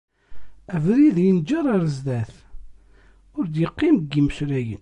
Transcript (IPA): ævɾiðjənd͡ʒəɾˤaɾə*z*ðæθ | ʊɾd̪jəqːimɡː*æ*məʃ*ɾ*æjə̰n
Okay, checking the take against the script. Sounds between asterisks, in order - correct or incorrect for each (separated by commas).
correct, incorrect, correct